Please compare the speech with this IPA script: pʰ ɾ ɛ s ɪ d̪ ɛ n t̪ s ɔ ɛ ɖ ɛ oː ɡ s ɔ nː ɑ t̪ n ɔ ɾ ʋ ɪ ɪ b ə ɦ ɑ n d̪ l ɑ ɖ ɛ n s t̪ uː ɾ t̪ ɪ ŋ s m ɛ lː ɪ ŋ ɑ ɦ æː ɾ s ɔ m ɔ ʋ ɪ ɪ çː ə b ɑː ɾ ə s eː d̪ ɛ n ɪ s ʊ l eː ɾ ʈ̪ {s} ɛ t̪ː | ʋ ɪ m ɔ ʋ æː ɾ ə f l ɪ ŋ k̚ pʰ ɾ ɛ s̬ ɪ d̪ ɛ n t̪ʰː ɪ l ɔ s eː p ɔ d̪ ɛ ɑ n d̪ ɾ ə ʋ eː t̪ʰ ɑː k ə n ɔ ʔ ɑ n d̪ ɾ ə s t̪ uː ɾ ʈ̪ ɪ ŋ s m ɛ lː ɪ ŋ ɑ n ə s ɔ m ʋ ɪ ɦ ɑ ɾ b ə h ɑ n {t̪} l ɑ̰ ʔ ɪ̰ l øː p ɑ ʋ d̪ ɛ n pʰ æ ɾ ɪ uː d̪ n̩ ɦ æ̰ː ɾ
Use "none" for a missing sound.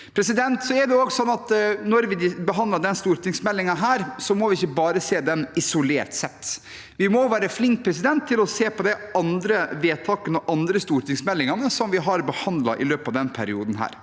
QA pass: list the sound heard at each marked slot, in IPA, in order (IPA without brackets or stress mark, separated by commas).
s, d̪